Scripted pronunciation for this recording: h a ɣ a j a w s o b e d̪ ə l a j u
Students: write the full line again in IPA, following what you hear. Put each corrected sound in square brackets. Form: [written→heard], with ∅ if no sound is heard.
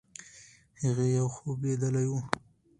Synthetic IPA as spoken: h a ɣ [a→e] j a w [s→x] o b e d̪ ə l a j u